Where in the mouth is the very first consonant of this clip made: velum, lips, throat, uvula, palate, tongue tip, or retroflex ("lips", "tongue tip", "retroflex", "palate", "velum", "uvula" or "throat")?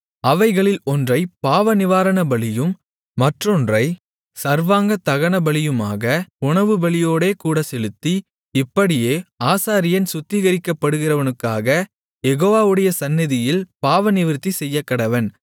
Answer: lips